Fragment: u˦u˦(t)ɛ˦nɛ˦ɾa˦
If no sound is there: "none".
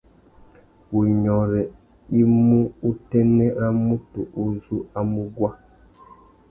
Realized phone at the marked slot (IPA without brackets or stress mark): t